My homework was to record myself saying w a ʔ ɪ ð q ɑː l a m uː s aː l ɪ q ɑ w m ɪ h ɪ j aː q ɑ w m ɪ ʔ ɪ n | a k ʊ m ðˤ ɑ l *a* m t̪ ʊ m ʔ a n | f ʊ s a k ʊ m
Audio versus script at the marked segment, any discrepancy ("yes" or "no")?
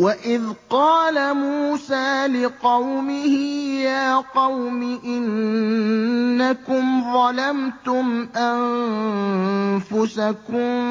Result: no